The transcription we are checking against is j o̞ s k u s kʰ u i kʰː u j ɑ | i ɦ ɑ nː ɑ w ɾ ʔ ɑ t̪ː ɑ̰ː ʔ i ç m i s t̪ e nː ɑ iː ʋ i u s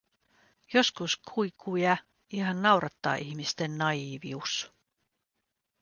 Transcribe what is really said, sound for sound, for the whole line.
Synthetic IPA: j o̞ s k u s kʰ u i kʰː u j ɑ | i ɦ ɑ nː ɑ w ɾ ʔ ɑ t̪ː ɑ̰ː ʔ i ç m i s t̪ e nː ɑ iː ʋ i u s